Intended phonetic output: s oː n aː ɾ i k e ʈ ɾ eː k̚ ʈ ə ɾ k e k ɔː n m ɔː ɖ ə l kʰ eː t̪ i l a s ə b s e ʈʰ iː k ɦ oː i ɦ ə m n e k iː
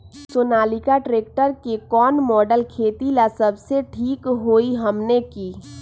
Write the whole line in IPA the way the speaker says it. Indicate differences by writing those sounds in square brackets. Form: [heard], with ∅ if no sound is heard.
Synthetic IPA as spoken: s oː n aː [l] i k [a] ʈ ɾ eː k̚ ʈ ə ɾ k e k ɔː n m ɔː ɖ ə l kʰ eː t̪ i l a s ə b s e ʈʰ iː k ɦ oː i ɦ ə m n e k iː